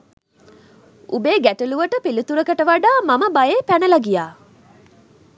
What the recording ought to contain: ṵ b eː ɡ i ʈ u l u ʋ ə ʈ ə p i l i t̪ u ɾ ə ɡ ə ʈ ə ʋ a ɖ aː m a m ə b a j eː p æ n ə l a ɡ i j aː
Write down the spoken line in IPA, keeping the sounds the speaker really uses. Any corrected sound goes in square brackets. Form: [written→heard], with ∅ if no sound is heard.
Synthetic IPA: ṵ b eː ɡ [i→æ] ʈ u l u ʋ ə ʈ ə p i l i t̪ u ɾ ə [ɡ→k] ə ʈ ə ʋ a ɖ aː m a m ə b a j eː p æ n ə l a ɡ i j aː